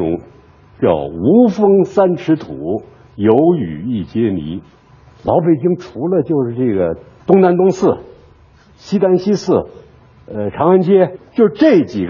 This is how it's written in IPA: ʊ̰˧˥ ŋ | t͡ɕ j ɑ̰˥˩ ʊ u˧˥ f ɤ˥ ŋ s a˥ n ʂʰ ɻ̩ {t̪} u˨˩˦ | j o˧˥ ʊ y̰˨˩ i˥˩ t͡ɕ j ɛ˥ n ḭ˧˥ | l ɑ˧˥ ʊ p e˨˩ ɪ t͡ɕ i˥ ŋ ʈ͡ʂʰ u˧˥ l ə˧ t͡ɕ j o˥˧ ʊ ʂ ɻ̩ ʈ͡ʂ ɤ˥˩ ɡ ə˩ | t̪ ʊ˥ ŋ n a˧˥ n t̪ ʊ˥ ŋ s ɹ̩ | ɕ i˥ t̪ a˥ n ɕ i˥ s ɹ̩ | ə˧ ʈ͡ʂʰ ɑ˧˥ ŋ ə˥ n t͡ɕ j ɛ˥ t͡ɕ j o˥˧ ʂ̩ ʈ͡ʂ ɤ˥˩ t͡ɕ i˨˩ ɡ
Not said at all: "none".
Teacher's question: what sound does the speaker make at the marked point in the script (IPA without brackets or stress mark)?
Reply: t̪ʰ